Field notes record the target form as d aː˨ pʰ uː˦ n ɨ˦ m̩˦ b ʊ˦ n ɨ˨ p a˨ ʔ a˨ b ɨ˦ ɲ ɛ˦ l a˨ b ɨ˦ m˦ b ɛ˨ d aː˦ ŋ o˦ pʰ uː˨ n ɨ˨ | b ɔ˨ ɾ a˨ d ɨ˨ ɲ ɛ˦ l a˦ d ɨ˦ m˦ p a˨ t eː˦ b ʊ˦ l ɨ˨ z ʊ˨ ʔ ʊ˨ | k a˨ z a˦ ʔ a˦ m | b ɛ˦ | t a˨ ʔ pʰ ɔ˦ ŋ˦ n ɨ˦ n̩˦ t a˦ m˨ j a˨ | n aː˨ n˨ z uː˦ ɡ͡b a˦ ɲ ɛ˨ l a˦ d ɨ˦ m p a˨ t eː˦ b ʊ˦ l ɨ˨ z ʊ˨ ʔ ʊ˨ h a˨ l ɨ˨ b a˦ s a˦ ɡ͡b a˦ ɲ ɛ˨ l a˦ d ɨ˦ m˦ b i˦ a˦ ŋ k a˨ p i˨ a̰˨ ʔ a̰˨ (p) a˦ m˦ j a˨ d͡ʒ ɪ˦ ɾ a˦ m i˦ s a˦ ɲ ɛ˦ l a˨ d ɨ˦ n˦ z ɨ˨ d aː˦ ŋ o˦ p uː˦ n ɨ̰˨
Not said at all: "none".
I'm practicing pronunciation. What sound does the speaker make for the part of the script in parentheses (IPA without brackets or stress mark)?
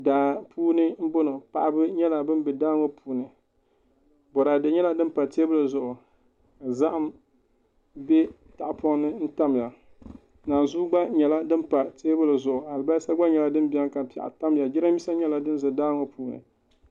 t